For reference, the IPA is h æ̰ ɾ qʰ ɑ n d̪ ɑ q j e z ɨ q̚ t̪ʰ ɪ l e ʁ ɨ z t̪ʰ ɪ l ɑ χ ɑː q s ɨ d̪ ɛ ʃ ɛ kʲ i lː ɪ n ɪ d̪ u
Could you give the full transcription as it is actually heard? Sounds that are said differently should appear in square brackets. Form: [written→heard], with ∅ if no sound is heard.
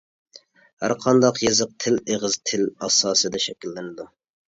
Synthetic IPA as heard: h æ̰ ɾ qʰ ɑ n d̪ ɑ q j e z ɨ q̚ t̪ʰ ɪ l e ʁ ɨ z t̪ʰ ɪ l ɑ [χ→s] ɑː [q→∅] s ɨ d̪ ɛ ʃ ɛ kʲ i lː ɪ n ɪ d̪ u